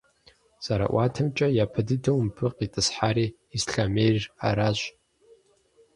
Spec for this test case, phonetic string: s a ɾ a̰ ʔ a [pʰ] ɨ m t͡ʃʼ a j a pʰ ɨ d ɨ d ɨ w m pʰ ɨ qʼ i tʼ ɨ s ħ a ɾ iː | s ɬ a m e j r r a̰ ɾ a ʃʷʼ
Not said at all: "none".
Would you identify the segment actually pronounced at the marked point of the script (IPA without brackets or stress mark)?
tʰ